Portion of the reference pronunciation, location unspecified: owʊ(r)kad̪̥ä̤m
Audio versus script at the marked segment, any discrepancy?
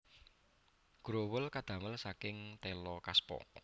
yes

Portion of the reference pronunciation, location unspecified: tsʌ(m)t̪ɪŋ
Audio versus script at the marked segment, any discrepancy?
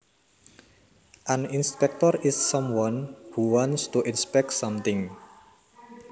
no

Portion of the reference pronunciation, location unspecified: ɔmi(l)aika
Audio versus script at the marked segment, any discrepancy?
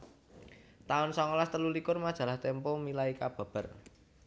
no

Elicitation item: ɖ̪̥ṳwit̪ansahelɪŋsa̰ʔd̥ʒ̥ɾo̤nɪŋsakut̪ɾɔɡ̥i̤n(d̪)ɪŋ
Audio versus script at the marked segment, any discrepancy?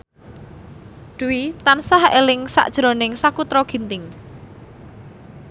yes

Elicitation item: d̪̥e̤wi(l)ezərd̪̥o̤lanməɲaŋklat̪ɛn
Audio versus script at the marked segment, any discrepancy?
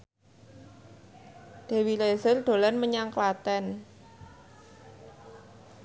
no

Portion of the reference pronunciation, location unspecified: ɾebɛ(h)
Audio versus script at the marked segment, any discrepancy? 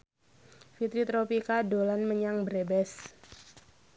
yes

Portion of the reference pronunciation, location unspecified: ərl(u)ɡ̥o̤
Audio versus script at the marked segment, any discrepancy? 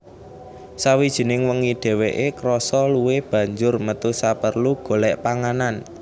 no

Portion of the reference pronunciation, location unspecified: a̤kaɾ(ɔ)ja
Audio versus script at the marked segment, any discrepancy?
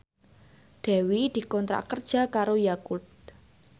yes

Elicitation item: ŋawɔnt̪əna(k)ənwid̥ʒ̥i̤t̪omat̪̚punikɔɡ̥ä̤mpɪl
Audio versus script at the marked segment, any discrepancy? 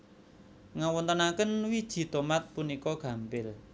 no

